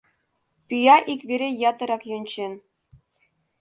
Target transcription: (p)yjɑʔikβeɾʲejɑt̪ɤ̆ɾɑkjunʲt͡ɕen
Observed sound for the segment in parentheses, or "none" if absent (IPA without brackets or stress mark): p